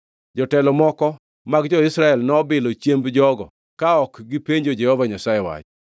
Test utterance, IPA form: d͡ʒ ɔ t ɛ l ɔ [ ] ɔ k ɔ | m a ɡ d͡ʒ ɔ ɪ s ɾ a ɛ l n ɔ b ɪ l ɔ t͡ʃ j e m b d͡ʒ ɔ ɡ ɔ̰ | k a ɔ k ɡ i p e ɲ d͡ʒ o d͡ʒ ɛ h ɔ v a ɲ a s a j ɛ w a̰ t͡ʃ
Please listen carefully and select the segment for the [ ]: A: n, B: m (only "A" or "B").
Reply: B